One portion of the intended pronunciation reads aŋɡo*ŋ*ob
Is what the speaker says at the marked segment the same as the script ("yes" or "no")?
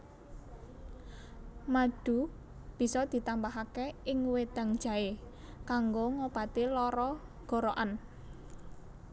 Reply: yes